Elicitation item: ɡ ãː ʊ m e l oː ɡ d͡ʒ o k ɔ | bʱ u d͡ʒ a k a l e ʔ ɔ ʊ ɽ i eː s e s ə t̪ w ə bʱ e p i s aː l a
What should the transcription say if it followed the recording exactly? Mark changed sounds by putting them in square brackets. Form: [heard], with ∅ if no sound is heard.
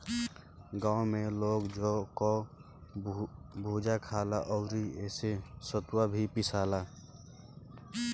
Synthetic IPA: ɡ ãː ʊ m e l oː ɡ d͡ʒ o k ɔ | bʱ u d͡ʒ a [kʰ] a l [a] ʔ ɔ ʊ [ɾ] i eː s e s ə t̪ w [a] bʱ [i] p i s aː l a

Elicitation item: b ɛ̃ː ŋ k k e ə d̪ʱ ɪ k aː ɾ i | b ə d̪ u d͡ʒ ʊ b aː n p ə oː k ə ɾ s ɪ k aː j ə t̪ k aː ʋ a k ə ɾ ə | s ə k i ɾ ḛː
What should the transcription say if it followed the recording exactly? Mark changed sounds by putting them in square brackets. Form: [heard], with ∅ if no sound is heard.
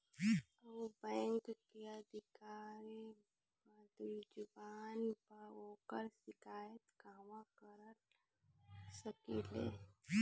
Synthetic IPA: b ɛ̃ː ŋ k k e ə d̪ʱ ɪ k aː ɾ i | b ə d̪ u d͡ʒ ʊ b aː n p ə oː k ə ɾ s ɪ k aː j ə t̪ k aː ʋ a k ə ɾ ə | s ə k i [l] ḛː

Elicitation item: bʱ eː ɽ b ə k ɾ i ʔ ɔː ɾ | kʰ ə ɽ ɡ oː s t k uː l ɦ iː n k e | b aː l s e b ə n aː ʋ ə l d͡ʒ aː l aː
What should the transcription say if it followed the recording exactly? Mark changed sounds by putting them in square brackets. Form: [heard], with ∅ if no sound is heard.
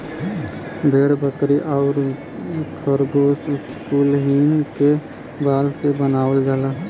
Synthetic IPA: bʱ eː ɽ b ə k ɾ i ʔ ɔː ɾ | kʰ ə [ɾ] ɡ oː s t k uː l ɦ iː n k e | b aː l s e b ə n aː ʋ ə l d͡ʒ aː l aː

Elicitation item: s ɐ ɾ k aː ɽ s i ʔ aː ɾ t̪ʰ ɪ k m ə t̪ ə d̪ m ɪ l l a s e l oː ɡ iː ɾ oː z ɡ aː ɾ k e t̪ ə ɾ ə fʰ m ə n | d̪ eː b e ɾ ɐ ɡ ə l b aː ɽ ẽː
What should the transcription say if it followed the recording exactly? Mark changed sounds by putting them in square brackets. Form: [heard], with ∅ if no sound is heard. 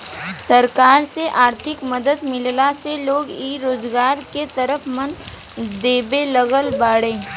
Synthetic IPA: s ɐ ɾ k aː [ɾ] s [e] ʔ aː ɾ t̪ʰ ɪ k m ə [d̪] ə d̪ m ɪ l l a s e l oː ɡ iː ɾ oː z ɡ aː ɾ k e t̪ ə ɾ ə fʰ m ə n | d̪ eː b e [l] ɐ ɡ ə l b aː ɽ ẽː

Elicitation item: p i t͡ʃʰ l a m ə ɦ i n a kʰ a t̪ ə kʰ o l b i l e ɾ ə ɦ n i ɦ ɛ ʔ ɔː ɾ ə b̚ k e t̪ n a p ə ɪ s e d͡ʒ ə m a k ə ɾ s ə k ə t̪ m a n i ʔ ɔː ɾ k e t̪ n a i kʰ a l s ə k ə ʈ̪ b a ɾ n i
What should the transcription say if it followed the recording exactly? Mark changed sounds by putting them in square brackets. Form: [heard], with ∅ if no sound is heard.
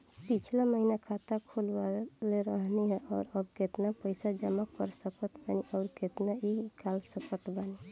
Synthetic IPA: p i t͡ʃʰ l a m ə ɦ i n a kʰ a t̪ [a] kʰ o l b [a] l e ɾ ə ɦ n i ɦ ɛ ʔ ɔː ɾ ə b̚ k e t̪ n a p ə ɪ s [a] d͡ʒ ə m a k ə ɾ s ə k ə t̪ [b] a n i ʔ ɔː ɾ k e t̪ n a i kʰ a l s ə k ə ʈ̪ b a [∅] n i

